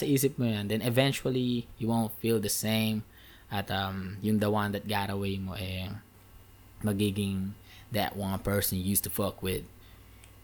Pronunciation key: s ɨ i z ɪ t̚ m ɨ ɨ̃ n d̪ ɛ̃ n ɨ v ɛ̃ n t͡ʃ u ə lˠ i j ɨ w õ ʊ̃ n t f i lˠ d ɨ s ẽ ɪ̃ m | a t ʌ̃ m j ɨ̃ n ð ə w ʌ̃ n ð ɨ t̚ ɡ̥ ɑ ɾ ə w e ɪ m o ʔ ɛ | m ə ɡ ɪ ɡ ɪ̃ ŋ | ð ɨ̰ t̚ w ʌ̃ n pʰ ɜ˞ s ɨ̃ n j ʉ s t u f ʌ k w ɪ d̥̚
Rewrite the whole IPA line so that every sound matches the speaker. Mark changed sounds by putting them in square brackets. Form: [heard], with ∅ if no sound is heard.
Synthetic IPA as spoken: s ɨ i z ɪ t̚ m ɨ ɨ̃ n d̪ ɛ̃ n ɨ v ɛ̃ n t͡ʃ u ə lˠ i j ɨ w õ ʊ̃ n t f i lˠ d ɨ s ẽ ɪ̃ m | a t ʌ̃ m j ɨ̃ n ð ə w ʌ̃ n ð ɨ t̚ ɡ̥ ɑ ɾ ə w e ɪ m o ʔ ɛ | m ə ɡ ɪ ɡ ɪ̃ ŋ | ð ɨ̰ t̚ w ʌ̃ n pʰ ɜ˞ s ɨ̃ n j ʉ s t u f ʌ k w ɪ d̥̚